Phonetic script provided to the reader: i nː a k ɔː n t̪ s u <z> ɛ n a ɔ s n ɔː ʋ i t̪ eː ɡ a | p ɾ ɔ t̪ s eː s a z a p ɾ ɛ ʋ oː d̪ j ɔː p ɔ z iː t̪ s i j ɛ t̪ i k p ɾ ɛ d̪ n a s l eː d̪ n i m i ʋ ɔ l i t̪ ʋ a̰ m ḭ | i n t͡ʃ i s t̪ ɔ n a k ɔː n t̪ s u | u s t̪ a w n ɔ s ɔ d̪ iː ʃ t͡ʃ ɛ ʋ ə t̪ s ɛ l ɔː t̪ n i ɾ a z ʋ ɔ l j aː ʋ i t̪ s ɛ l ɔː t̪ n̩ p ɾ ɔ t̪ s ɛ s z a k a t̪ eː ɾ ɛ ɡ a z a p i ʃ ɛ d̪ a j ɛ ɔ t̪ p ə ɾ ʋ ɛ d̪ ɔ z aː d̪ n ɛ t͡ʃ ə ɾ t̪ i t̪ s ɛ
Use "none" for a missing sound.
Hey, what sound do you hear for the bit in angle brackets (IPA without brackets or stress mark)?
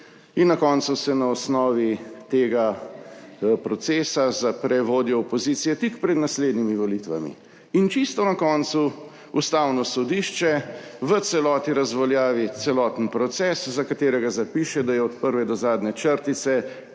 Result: s